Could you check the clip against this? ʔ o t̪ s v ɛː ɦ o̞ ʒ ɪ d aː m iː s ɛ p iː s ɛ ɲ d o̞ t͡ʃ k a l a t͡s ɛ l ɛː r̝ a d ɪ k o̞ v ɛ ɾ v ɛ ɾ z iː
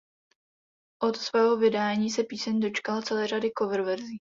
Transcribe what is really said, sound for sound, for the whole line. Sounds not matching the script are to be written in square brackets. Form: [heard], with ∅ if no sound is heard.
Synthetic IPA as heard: ʔ o t̪ s v ɛː ɦ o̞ [v] ɪ d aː [ɲ] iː s ɛ p iː s ɛ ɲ d o̞ t͡ʃ k a l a t͡s ɛ l ɛː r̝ a d ɪ k o̞ v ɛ ɾ v ɛ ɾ z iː